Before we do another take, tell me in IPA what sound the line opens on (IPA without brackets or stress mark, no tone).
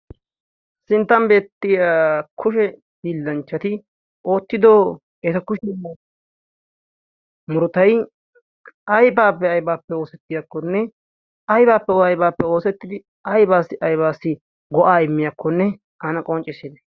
s